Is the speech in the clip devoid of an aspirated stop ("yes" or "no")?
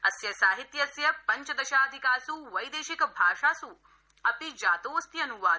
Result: yes